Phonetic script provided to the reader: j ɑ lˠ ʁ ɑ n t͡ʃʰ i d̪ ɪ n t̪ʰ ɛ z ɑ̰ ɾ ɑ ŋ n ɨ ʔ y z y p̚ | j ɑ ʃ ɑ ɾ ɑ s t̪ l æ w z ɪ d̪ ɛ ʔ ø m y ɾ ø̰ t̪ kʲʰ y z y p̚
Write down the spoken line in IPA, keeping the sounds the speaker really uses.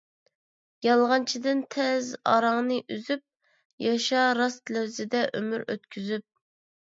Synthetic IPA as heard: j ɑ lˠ ʁ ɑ n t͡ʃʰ i d̪ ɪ n t̪ʰ ɛ z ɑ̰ ɾ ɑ ŋ n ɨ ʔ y z y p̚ | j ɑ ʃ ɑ ɾ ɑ s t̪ l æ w z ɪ d̪ ɛ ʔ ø m y ɾ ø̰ t̪ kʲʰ y z y p̚